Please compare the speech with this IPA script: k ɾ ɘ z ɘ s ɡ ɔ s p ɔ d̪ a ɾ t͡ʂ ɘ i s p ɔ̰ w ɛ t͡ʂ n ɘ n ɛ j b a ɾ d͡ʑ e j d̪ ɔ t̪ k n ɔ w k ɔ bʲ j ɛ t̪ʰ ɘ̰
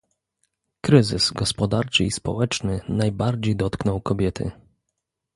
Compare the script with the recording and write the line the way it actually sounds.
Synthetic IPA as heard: k ɾ ɘ z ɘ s ɡ ɔ s p ɔ d̪ a ɾ t͡ʂ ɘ i s p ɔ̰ w ɛ t͡ʂ n ɘ n a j b a ɾ d͡ʑ e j d̪ ɔ t̪ k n ɔ w k ɔ bʲ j ɛ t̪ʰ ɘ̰